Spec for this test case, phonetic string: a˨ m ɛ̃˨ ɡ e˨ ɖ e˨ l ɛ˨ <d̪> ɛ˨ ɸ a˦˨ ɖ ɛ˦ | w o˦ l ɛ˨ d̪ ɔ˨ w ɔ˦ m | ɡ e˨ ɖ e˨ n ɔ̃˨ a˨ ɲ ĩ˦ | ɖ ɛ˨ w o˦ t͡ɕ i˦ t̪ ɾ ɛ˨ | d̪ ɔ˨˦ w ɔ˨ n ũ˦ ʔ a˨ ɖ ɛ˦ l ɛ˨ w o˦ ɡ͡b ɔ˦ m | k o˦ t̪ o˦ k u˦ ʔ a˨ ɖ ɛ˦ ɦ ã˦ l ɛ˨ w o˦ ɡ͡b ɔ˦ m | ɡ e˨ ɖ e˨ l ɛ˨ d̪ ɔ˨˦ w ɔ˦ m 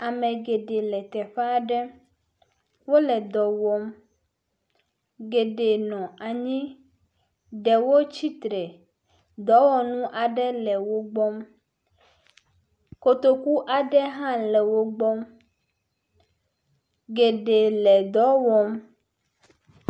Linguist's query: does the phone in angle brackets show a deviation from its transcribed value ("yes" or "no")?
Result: yes